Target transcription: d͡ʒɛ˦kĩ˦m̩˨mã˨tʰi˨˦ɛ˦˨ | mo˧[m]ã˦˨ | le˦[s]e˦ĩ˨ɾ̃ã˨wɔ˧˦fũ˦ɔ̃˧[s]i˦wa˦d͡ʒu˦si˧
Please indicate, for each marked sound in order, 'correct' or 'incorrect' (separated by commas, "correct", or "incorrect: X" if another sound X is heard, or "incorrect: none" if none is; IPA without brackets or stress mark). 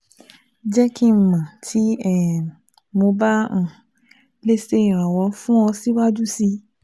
incorrect: b, correct, correct